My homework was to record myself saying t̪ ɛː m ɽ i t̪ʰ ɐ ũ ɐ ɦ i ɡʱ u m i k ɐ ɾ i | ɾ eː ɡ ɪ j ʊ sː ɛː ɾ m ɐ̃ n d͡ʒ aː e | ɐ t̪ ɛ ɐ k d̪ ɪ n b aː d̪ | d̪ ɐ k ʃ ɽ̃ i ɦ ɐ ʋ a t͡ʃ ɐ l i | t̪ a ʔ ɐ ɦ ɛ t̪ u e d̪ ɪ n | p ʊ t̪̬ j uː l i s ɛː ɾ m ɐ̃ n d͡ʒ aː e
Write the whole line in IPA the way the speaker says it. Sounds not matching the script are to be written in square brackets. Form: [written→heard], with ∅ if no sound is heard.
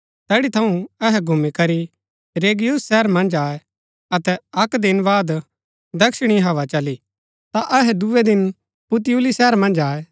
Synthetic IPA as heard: t̪ ɛː [m→∅] ɽ i t̪ʰ ɐ ũ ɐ ɦ [i→ɛ] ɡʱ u m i k ɐ ɾ i | ɾ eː ɡ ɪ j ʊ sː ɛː ɾ m ɐ̃ n d͡ʒ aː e | ɐ t̪ ɛ ɐ k d̪ ɪ n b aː d̪ | d̪ ɐ k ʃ ɽ̃ i ɦ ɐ ʋ a t͡ʃ ɐ l i | t̪ a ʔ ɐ ɦ ɛ [t̪→d̪] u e d̪ ɪ n | p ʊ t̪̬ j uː l i s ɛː ɾ m ɐ̃ n d͡ʒ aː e